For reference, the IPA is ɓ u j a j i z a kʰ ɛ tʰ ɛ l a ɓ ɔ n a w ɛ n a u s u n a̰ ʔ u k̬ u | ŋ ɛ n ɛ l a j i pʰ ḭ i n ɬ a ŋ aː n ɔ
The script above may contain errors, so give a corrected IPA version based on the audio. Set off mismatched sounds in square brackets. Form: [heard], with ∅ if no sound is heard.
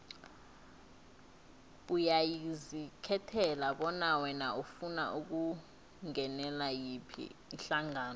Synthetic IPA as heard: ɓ u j a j i z [i] kʰ ɛ tʰ ɛ l a ɓ ɔ n a w ɛ n a u [f] u n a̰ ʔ u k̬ u | ŋ ɛ n ɛ l a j i pʰ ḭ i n ɬ a ŋ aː n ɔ